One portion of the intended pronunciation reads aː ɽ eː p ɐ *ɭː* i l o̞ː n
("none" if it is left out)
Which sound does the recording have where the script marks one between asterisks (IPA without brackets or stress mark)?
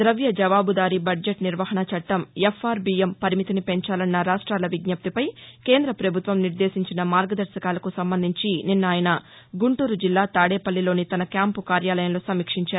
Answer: lː